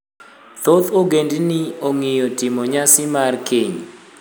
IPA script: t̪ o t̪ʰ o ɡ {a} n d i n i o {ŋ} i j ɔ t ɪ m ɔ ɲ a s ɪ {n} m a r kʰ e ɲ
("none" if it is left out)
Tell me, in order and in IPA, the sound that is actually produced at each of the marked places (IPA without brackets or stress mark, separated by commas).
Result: e, ŋ, none